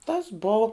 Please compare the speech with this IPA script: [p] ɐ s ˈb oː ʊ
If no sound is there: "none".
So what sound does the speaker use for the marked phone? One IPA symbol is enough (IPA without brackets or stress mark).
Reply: t